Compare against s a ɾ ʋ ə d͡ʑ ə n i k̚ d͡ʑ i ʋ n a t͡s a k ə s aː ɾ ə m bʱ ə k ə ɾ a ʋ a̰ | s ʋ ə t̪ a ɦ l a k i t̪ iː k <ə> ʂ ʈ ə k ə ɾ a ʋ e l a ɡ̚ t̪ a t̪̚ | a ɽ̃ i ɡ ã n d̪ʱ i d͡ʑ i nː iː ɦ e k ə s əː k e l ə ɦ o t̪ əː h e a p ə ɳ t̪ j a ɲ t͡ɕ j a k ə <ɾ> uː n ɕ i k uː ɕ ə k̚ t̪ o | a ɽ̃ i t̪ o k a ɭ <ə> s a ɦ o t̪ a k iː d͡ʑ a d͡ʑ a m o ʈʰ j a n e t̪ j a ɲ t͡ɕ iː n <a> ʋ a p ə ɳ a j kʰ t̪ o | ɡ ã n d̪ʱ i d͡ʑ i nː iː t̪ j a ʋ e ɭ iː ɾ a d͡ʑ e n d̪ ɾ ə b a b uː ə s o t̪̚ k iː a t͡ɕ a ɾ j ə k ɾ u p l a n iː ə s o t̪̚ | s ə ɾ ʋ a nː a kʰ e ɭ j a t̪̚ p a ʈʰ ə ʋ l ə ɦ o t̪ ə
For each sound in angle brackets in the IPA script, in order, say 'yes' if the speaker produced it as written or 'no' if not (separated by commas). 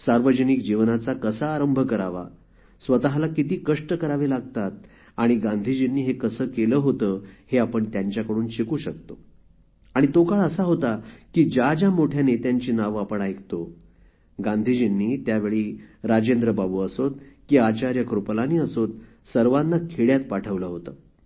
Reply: yes, no, yes, yes